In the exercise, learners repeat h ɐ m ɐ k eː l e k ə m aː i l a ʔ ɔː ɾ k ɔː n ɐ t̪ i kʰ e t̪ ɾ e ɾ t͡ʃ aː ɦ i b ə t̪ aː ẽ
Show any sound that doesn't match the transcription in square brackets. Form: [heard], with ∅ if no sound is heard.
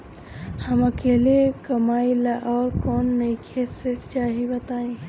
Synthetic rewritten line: h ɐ m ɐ k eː l e k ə m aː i l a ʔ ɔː ɾ k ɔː [nː] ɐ [∅] i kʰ e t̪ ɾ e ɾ t͡ʃ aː ɦ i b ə t̪ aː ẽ